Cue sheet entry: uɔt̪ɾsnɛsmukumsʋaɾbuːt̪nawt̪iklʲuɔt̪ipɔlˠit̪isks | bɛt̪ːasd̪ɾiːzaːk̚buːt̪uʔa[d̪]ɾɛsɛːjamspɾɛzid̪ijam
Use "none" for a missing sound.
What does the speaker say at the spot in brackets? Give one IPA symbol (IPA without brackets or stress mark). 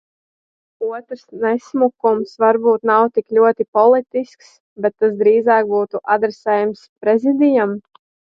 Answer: d̪